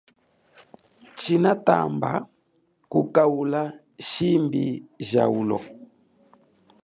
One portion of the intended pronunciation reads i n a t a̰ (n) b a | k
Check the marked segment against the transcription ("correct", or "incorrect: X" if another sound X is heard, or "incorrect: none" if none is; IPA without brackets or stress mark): incorrect: m